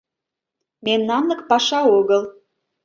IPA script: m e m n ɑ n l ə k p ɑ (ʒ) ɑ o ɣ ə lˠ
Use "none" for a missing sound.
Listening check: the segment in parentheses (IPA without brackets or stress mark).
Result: ʃ